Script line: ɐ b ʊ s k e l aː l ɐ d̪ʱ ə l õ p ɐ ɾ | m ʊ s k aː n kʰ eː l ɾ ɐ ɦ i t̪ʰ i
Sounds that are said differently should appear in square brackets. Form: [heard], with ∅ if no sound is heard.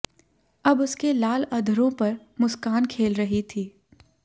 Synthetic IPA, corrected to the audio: ɐ b ʊ s k e l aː l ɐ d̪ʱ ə [ɾ] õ p ɐ ɾ | m ʊ s k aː n kʰ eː l ɾ ɐ ɦ i t̪ʰ [iː]